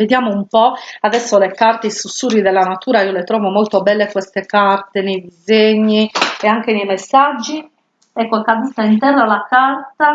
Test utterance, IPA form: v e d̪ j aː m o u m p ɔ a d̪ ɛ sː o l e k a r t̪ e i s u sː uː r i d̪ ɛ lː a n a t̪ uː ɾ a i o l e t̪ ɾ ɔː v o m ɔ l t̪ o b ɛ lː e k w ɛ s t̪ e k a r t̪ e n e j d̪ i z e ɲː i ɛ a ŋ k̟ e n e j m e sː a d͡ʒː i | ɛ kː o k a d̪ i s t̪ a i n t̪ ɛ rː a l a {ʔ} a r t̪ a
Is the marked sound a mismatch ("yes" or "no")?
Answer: yes